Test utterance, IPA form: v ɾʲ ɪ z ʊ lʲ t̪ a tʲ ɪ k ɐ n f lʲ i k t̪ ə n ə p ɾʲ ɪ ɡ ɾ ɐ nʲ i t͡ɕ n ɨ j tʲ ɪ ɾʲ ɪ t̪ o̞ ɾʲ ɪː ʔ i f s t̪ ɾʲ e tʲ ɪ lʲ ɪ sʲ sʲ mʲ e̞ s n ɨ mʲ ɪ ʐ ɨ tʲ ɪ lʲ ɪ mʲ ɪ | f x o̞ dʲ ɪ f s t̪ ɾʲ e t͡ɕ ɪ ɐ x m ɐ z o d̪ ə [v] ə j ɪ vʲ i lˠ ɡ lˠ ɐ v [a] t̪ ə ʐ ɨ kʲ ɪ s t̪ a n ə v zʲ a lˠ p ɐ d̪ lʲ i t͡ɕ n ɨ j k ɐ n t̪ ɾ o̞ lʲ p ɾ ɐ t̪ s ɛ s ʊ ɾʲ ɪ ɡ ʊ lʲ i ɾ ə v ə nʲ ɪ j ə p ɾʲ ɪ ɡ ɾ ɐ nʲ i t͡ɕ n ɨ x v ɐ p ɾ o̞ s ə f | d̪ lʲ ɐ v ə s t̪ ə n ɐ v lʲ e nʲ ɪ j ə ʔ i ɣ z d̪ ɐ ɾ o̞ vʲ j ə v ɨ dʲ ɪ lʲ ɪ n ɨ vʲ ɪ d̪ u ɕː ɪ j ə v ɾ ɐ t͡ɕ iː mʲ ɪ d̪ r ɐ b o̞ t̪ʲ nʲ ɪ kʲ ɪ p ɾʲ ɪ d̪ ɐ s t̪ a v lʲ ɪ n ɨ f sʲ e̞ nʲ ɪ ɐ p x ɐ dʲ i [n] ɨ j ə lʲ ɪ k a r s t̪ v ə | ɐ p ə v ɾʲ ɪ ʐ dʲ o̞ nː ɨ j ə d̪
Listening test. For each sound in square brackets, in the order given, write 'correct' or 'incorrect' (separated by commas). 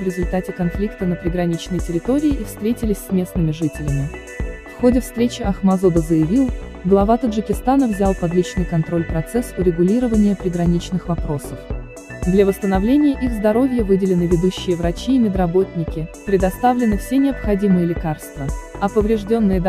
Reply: incorrect, correct, incorrect